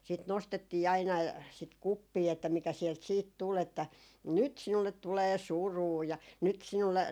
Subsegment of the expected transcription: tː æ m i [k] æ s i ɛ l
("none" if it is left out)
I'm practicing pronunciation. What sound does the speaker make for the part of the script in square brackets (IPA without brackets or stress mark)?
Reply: k